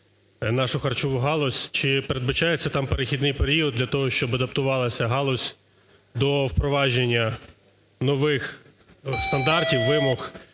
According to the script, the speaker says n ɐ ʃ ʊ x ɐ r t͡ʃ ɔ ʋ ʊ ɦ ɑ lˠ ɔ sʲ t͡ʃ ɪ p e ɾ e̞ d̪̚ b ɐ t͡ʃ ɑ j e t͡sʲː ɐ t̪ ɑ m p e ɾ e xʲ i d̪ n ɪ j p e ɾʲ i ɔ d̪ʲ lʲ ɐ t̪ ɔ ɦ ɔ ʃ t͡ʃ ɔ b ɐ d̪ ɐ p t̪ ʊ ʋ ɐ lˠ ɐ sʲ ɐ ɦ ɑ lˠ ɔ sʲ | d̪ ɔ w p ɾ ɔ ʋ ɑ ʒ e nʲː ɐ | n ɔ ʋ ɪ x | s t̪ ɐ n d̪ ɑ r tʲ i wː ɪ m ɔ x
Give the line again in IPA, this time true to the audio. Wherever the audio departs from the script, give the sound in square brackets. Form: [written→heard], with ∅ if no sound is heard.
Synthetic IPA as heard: n [ɐ→ɑ] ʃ ʊ x ɐ r t͡ʃ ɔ ʋ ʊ ɦ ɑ lˠ ɔ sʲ t͡ʃ ɪ p e ɾ e̞ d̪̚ b ɐ t͡ʃ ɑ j e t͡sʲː ɐ t̪ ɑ m p e ɾ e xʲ i d̪ n ɪ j p e ɾʲ i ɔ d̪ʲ lʲ ɐ t̪ ɔ ɦ ɔ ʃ t͡ʃ ɔ b ɐ d̪ ɐ p t̪ ʊ ʋ [ɐ→ɑ] lˠ ɐ sʲ ɐ ɦ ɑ lˠ ɔ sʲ | d̪ ɔ w p ɾ ɔ ʋ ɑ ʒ e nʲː ɐ | n ɔ ʋ ɪ x | s t̪ ɐ n d̪ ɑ r tʲ i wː ɪ m ɔ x

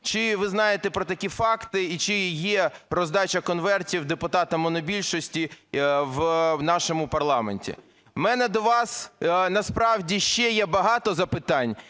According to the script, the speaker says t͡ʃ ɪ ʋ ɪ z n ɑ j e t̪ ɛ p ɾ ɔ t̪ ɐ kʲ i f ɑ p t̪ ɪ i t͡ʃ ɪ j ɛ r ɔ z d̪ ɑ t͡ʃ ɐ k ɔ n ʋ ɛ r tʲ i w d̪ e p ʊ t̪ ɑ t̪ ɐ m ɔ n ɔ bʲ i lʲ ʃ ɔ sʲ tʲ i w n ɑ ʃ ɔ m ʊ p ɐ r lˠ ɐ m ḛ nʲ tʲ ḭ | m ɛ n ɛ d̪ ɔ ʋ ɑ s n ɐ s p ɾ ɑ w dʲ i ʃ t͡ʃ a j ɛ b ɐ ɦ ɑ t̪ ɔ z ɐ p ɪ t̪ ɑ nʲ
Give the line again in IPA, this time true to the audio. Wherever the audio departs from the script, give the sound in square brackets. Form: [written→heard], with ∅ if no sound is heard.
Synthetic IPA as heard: t͡ʃ ɪ ʋ ɪ z n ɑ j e t̪ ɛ p ɾ ɔ t̪ ɐ kʲ i f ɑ [p→k] t̪ ɪ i t͡ʃ ɪ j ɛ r ɔ z d̪ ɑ t͡ʃ ɐ k ɔ n ʋ ɛ r tʲ i w d̪ e p ʊ t̪ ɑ t̪ ɐ m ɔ n ɔ bʲ i lʲ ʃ ɔ sʲ tʲ i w n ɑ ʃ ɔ m ʊ p ɐ r lˠ [ɐ→ɑ] m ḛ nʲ tʲ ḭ | m ɛ n ɛ d̪ ɔ ʋ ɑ s n ɐ s p ɾ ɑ w dʲ i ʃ t͡ʃ [a→ɛ] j ɛ b ɐ ɦ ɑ t̪ ɔ z ɐ p ɪ t̪ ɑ nʲ

